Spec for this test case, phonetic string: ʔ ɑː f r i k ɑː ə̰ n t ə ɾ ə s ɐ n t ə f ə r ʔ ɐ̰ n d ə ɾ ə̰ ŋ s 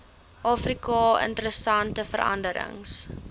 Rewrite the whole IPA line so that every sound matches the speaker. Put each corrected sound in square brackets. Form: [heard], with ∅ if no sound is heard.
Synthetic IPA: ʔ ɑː f r i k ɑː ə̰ n t ə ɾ ə s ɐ n t ə f ə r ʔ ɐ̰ n d ə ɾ ə̰ ŋ s